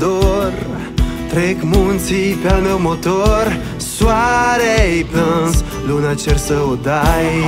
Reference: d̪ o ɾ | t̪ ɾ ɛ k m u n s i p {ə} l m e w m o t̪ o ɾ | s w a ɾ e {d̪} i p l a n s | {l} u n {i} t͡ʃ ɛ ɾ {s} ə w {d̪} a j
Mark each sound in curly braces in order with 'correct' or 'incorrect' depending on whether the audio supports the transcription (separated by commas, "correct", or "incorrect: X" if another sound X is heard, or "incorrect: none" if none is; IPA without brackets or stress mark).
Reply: incorrect: a, incorrect: none, correct, incorrect: a, correct, correct